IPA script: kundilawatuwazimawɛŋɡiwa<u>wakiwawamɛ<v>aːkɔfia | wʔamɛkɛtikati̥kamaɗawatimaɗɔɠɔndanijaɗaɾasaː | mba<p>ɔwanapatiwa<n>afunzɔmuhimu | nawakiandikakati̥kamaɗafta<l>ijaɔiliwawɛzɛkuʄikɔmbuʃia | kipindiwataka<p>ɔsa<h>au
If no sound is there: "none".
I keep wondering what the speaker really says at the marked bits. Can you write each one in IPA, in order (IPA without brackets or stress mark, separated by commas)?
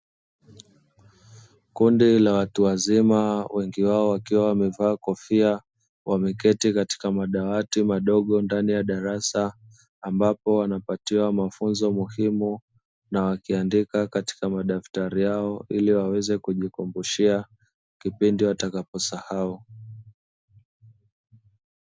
ɔ, v, p, m, ɾ, p, h